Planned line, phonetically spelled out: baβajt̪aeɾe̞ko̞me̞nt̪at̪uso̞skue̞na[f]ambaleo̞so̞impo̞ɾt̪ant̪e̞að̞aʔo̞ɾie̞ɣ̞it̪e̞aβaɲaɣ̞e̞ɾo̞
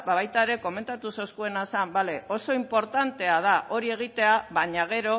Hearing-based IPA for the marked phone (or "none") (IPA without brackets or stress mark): s